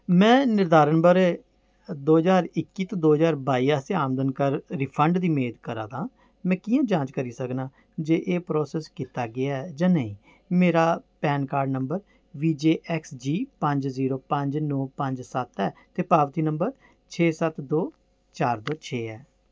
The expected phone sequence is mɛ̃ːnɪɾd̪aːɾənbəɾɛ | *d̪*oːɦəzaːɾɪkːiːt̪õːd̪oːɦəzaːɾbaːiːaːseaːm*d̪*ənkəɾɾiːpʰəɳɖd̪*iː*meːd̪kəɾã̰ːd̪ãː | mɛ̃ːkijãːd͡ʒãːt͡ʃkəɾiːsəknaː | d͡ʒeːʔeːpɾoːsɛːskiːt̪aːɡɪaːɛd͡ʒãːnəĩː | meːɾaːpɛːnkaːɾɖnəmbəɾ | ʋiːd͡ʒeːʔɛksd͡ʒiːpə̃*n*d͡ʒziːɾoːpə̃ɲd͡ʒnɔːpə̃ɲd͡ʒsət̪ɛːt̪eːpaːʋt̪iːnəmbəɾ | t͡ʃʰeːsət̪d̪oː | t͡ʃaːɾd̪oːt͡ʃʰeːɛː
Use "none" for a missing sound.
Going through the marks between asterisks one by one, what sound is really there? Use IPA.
d̪, d̪, iː, ɲ

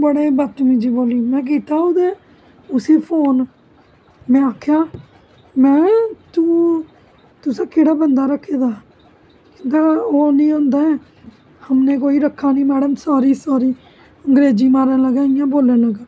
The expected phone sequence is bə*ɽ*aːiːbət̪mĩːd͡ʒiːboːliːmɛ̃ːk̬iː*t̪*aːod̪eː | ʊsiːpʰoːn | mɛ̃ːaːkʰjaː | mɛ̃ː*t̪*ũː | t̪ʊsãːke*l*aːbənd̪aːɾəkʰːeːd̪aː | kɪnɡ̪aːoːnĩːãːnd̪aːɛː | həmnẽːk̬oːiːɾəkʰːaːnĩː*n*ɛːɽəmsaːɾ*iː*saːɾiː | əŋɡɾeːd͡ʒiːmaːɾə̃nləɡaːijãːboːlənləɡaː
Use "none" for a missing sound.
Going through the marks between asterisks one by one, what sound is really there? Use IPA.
ɽ, t̪, t̪, ɽ, m, iː

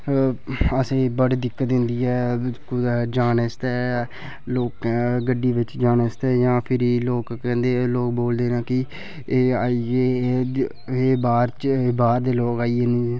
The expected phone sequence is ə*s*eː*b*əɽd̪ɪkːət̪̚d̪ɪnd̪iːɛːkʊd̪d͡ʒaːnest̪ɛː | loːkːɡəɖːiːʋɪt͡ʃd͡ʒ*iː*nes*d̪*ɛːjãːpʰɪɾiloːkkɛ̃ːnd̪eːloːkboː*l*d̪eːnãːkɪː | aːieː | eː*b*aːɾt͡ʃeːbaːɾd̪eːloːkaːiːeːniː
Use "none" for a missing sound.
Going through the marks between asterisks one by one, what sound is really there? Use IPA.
s, b, aː, t̪, l, b

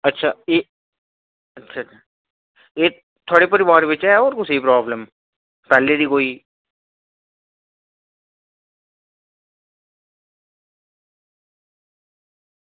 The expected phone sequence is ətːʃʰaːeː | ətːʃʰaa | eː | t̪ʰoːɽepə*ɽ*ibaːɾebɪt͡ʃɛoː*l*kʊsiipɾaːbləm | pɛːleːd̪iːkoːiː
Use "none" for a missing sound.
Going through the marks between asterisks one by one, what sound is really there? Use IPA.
ɾ, ɾ

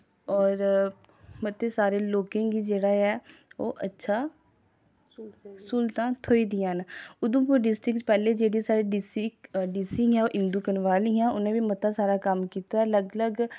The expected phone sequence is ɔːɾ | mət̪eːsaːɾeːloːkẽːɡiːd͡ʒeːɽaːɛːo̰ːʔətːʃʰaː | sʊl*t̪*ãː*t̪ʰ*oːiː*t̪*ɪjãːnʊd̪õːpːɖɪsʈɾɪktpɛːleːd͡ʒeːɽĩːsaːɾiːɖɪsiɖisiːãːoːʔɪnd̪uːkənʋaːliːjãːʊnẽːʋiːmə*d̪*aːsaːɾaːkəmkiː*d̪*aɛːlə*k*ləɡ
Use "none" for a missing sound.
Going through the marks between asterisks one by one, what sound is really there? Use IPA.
t̪, t̪ʰ, d̪, t̪, t̪, ɡ

